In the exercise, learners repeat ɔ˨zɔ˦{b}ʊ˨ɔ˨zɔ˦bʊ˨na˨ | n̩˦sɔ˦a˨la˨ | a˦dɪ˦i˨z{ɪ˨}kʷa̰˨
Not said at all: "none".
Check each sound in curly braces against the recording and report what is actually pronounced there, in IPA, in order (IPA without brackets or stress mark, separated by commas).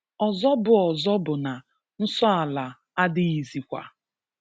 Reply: b, i˨